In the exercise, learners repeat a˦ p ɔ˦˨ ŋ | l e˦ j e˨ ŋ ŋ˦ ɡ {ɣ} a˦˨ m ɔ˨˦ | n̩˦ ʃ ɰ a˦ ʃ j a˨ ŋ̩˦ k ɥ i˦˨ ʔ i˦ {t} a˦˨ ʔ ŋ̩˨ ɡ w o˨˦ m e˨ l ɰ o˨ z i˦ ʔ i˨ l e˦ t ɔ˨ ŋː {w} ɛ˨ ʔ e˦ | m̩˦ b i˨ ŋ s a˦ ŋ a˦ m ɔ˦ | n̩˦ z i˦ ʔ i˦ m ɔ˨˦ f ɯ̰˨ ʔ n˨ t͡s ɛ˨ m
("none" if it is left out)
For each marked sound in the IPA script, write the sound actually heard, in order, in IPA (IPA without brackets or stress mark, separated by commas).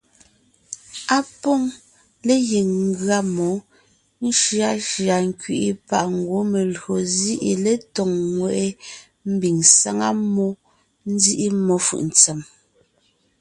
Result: ɰ, p, w